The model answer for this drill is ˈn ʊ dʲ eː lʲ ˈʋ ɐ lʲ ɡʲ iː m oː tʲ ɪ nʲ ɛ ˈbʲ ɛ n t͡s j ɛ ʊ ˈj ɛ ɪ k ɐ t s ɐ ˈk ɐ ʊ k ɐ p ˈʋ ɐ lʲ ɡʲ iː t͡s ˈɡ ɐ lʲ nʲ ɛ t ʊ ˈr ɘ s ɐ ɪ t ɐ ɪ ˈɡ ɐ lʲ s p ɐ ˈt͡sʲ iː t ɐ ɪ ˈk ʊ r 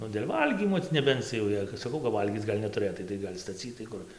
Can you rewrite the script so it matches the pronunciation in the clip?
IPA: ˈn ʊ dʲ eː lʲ ˈʋ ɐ lʲ ɡʲ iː m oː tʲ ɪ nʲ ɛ ˈbʲ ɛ n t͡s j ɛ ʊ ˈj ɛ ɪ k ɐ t s ɐ ˈk ɐ ʊ k ɐ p ˈʋ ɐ lʲ ɡʲ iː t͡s ˈɡ ɐ lʲ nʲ ɛ t ʊ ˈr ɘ t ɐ ɪ t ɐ ɪ ˈɡ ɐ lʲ s t ɐ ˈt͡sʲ iː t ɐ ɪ ˈk ʊ r